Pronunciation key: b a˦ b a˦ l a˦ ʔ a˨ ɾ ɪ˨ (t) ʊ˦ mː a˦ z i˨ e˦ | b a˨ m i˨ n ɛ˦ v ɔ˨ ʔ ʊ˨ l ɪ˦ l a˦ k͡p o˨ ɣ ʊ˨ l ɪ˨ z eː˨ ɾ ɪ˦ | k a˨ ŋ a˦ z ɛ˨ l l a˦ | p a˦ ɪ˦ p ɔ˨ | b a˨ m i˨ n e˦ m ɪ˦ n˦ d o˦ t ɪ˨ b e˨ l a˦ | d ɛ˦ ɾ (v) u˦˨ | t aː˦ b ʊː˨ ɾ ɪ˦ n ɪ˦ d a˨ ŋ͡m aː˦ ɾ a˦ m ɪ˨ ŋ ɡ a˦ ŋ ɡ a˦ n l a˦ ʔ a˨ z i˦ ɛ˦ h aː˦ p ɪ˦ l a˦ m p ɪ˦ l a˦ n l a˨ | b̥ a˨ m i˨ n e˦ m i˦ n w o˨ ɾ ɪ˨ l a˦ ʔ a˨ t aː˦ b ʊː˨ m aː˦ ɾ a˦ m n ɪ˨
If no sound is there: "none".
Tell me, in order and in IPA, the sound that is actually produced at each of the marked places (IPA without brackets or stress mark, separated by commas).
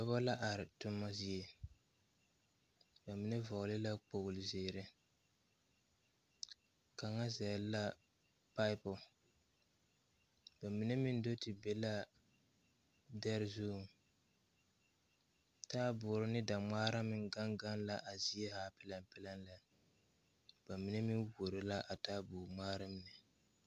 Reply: t, z